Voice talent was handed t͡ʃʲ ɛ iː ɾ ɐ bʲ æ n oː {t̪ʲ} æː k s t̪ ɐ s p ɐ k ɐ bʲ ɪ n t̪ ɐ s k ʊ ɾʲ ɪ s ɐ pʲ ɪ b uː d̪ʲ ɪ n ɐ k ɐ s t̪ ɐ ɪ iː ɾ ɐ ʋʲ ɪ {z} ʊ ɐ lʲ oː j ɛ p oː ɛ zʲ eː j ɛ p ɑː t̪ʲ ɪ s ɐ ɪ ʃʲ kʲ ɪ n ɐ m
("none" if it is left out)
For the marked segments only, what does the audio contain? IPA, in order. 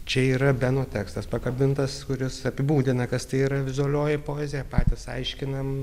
t̪ʲ, z

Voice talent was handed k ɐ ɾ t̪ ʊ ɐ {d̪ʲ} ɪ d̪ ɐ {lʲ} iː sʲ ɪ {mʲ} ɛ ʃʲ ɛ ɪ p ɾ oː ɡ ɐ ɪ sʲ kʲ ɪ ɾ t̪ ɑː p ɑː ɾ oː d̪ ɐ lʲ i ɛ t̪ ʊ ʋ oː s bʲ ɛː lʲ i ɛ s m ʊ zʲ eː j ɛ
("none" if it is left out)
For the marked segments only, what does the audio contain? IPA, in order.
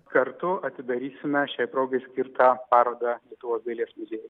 t̪ʲ, ɾʲ, mʲ

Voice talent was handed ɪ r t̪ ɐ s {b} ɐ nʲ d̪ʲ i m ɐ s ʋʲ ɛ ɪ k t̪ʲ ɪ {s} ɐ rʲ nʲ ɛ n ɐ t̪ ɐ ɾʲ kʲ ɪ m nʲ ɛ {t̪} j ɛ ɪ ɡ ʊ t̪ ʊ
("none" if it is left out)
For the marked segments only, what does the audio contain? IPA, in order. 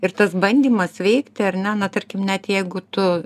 b, none, t̪

